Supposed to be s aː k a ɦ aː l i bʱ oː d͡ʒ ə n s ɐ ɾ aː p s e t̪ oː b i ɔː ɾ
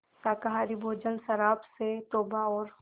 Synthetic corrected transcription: s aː k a ɦ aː ɾ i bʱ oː d͡ʒ ə n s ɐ ɾ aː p s e t̪ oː b a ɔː ɾ